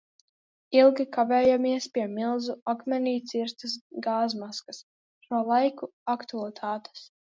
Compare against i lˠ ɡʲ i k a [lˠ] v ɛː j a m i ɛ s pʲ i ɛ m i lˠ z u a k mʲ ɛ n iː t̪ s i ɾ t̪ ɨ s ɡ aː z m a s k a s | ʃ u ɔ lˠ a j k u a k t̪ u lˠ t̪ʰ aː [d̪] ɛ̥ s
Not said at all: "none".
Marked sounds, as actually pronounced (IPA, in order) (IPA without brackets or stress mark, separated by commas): none, t̪